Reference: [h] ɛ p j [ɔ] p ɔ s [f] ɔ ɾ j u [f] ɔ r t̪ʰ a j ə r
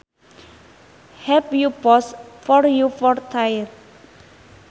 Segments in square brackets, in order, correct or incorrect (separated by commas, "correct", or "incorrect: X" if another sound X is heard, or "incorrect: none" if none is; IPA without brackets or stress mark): correct, incorrect: u, correct, correct